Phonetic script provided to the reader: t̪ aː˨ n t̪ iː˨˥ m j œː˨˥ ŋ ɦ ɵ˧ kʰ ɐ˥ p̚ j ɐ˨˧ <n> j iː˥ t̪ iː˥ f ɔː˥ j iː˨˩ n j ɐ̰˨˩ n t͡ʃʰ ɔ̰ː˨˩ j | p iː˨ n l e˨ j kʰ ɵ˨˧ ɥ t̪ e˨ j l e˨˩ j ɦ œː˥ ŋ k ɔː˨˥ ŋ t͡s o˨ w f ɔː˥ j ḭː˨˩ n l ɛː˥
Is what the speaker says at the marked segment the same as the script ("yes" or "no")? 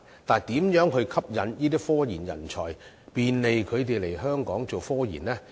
yes